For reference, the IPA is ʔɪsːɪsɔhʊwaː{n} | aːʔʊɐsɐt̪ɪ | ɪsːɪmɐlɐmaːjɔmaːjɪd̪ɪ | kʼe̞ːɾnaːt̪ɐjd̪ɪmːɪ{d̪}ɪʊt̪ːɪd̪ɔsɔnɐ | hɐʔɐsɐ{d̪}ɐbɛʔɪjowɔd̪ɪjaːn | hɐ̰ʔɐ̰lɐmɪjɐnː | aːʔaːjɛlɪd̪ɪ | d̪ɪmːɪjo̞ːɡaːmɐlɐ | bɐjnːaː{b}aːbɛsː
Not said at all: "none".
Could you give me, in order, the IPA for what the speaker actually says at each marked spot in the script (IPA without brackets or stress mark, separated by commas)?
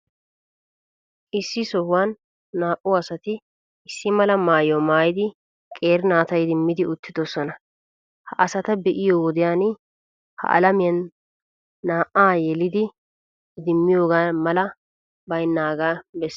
nː, d̪, t̪, ɡ